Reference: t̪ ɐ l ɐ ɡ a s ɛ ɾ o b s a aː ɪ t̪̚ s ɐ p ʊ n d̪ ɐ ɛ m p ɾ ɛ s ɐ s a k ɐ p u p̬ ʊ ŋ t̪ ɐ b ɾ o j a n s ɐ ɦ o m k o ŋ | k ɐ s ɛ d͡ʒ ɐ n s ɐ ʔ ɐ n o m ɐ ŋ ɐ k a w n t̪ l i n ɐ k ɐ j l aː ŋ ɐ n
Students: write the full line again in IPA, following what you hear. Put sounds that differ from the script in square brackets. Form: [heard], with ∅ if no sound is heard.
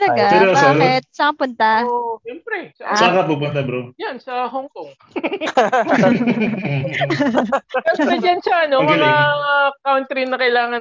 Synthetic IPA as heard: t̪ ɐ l ɐ ɡ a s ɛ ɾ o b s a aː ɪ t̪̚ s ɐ p ʊ n [t̪] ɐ ɛ m p ɾ ɛ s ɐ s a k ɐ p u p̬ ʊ [n] t̪ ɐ b ɾ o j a n s ɐ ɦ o [ŋ] k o ŋ | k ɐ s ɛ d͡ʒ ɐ n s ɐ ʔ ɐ n o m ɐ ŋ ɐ k a w n t̪ [ɾ] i n ɐ k ɐ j l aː ŋ ɐ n